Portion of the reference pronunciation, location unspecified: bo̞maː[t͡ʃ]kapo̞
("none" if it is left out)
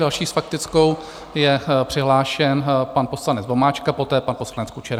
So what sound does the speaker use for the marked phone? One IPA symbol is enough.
t͡ʃ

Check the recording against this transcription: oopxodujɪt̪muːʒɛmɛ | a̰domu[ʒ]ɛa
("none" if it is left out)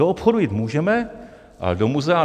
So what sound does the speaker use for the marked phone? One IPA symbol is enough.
z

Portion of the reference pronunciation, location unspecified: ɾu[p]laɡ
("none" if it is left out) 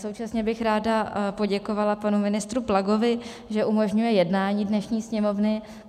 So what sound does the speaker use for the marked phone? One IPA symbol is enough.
p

